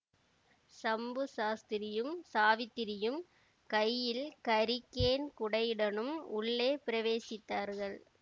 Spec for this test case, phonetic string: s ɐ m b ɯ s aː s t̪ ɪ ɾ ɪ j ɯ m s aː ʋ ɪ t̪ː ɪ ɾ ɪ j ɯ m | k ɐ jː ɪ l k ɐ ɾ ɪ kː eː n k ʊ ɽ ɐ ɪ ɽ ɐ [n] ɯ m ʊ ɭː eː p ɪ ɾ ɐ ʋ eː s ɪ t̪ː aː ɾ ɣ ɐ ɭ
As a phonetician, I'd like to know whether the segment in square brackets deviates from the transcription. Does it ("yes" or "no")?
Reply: no